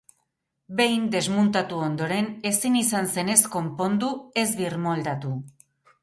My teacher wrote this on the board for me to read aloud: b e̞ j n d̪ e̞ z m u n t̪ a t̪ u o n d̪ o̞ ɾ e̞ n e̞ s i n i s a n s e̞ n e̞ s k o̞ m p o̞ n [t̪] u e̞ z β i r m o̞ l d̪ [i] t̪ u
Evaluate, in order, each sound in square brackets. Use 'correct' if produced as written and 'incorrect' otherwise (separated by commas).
incorrect, incorrect